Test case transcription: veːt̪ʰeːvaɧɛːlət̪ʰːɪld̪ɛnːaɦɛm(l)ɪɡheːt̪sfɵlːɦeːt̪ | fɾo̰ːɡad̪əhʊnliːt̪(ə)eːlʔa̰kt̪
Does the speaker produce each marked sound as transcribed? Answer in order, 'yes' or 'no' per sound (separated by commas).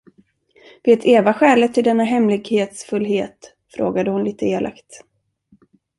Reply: yes, yes